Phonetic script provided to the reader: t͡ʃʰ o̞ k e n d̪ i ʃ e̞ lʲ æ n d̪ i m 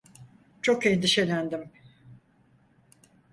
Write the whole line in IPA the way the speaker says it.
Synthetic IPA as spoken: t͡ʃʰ o̞ k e n d̪ i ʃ e̞ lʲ æ n d̪ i m